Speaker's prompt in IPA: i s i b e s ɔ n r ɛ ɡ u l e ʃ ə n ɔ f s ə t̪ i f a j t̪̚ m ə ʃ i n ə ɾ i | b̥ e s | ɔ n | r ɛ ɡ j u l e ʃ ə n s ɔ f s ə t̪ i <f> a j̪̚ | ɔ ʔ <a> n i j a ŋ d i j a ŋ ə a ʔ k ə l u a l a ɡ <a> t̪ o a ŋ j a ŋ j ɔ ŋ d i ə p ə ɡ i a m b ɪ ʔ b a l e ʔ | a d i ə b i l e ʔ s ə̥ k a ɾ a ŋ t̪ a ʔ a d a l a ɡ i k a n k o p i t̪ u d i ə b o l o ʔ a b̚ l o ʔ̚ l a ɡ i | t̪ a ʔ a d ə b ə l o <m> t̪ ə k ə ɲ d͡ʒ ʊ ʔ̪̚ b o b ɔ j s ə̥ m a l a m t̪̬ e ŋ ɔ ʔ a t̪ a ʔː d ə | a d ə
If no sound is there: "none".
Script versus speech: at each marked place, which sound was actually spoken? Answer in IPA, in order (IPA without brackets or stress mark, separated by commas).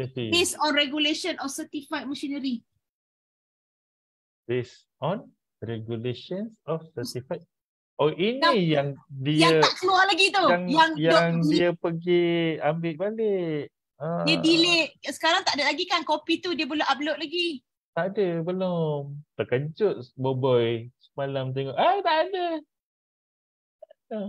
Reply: f, i, i, m